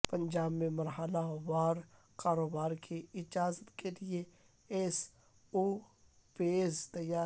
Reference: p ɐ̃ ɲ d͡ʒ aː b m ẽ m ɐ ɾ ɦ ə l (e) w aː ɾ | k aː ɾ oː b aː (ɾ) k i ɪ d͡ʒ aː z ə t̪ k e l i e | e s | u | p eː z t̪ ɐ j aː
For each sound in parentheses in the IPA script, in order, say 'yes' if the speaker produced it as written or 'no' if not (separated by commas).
no, yes